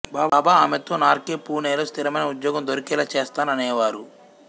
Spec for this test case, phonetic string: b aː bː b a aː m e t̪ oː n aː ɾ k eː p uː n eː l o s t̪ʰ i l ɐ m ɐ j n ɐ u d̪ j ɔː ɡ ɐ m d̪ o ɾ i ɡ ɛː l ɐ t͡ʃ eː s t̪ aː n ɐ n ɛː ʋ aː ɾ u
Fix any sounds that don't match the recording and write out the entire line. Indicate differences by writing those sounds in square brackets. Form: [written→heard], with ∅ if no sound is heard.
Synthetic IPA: b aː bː b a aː m e t̪ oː n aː ɾ k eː p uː n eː l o s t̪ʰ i [l→ɾ] ɐ m ɐ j n ɐ u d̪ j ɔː ɡ ɐ m d̪ o ɾ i [ɡ→k] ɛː l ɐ t͡ʃ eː s t̪ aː n ɐ n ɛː ʋ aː ɾ u

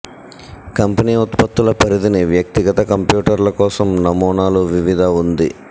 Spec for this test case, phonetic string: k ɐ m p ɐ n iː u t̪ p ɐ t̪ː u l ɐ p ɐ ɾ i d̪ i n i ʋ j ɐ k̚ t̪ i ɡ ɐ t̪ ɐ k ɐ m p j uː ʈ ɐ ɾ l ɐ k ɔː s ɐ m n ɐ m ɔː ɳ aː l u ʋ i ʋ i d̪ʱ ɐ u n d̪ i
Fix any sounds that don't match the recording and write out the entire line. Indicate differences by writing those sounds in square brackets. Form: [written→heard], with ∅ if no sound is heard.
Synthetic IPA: k ɐ m p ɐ n iː u t̪ p ɐ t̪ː u l ɐ p ɐ ɾ i d̪ i n i ʋ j ɐ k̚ t̪ i ɡ ɐ t̪ ɐ k ɐ m p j uː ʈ ɐ ɾ l ɐ k ɔː s ɐ m n ɐ m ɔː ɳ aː l u ʋ i ʋ i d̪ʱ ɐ u n d̪ i

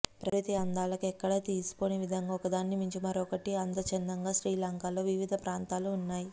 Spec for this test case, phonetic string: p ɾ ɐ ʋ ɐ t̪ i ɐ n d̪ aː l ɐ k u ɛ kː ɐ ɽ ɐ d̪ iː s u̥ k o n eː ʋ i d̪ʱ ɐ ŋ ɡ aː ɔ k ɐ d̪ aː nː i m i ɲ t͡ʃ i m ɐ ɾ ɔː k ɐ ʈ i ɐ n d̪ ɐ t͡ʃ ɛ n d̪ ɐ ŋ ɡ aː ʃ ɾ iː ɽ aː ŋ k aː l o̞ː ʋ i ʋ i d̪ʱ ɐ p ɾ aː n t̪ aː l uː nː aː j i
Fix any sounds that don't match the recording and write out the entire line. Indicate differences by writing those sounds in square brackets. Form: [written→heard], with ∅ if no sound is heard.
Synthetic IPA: p ɾ ɐ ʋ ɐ t̪ i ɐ n d̪ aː l ɐ k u ɛ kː ɐ ɽ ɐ [d̪→t̪] iː s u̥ k o n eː ʋ i d̪ʱ ɐ ŋ ɡ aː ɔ k ɐ d̪ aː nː i m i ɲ t͡ʃ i m ɐ ɾ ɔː k ɐ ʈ i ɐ n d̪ ɐ t͡ʃ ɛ n d̪ ɐ ŋ ɡ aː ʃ ɾ iː [ɽ→l] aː ŋ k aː l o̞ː ʋ i ʋ i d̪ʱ ɐ p ɾ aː n t̪ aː l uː nː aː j i

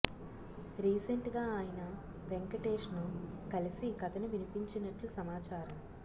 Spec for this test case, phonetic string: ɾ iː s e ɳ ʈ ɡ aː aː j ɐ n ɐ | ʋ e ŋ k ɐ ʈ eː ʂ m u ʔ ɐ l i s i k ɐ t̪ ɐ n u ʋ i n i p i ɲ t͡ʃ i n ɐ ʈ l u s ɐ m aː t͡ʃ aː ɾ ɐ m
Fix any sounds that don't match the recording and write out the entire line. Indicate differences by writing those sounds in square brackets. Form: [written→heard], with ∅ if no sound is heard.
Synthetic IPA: ɾ iː s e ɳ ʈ ɡ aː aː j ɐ n ɐ | ʋ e ŋ k ɐ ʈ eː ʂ [m→n] u [ʔ→k] ɐ l i s i k ɐ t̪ ɐ n u ʋ i n i p i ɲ t͡ʃ i n ɐ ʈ l u s ɐ m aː t͡ʃ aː ɾ ɐ m

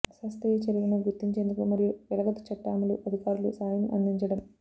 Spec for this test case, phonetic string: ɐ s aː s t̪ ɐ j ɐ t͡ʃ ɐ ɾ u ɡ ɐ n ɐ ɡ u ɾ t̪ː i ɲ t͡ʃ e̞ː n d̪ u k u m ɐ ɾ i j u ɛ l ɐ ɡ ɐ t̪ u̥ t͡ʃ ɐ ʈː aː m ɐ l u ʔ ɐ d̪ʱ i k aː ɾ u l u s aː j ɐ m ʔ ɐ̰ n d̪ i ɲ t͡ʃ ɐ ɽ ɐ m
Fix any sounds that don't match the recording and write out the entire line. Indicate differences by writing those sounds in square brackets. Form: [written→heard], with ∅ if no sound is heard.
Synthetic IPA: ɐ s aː s t̪ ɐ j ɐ t͡ʃ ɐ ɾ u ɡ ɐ n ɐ ɡ u ɾ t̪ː i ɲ t͡ʃ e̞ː n d̪ u k u m ɐ ɾ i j u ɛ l ɐ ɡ ɐ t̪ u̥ t͡ʃ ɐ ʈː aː m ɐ l u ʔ ɐ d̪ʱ i k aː ɾ u l u s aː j ɐ m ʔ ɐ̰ n d̪ i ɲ t͡ʃ ɐ ɽ ɐ m

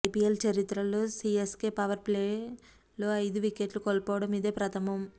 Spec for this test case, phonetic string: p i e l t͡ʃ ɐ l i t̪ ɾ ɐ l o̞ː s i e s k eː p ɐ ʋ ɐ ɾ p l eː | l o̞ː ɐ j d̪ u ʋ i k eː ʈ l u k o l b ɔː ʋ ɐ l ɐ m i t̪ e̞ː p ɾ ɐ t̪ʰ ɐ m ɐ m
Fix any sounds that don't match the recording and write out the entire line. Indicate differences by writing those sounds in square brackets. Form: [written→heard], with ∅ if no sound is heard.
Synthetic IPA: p i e l t͡ʃ ɐ [l→ɾ] i t̪ ɾ ɐ l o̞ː s i e s k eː p ɐ ʋ ɐ ɾ p l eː | l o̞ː ɐ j d̪ u ʋ i k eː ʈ l u k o l [b→p] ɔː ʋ ɐ [l→ɽ] ɐ m i [t̪→d̪] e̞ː p ɾ ɐ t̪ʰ ɐ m ɐ m

